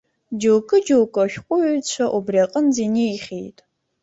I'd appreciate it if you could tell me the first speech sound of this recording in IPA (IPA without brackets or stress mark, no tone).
d͡ʒ